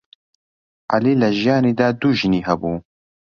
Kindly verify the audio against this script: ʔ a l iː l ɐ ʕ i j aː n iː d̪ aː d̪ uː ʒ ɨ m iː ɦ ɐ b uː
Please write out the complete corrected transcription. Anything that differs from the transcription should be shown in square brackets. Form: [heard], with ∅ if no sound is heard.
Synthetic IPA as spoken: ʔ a l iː l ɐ [ʒ] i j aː n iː d̪ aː d̪ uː ʒ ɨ [n] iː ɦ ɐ b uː